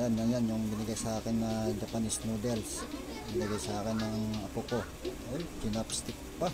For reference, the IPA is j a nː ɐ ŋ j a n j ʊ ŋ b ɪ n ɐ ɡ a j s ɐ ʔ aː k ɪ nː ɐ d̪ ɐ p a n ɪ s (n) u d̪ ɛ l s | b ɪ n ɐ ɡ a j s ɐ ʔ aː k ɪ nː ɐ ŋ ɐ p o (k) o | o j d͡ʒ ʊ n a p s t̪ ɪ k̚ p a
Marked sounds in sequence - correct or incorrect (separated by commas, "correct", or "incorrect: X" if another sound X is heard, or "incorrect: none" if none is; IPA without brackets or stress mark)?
correct, correct